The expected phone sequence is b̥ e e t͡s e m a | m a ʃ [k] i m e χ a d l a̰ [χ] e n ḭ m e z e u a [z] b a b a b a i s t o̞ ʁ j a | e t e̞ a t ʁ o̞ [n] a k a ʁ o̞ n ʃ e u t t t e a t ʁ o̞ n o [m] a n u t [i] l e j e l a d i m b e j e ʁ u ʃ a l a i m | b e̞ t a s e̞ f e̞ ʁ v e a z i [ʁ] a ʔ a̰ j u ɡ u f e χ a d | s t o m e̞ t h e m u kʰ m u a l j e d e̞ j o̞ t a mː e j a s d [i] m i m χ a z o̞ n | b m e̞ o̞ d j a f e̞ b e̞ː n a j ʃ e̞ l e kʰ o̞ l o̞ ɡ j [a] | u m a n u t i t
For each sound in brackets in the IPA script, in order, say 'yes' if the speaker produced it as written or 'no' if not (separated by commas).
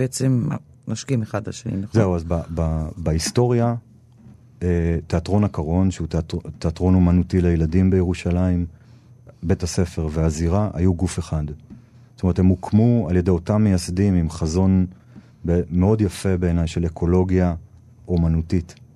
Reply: yes, no, yes, yes, yes, yes, yes, yes, yes